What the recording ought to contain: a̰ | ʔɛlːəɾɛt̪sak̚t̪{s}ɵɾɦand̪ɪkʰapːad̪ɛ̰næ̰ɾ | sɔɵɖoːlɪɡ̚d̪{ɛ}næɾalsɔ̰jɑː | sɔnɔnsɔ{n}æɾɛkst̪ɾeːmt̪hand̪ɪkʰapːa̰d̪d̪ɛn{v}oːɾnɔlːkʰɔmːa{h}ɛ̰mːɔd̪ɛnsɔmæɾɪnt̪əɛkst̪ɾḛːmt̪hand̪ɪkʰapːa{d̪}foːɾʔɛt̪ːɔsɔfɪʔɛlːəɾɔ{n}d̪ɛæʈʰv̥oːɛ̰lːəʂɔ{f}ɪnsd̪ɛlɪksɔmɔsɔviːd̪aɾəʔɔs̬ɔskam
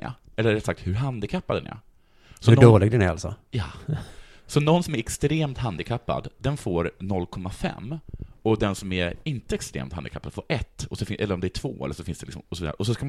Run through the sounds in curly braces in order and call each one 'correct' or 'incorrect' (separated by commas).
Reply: incorrect, correct, incorrect, incorrect, incorrect, correct, incorrect, correct